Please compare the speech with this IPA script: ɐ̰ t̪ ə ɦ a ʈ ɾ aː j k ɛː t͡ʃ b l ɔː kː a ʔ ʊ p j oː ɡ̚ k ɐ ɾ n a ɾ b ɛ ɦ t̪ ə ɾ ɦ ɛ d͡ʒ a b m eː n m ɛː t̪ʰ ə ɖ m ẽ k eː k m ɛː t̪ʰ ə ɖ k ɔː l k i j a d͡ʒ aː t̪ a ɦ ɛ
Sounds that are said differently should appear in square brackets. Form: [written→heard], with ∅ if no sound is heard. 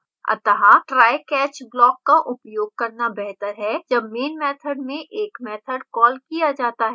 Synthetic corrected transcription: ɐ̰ t̪ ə ɦ a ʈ ɾ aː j k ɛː t͡ʃ b l ɔː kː a ʔ ʊ p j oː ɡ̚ k ɐ ɾ n a [ɾ→∅] b ɛ ɦ t̪ ə ɾ ɦ ɛ d͡ʒ [a→ɐ] b m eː n m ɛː t̪ʰ ə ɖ m ẽ [k→ʔ] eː k m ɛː t̪ʰ ə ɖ k ɔː l k i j a d͡ʒ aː t̪ a ɦ ɛ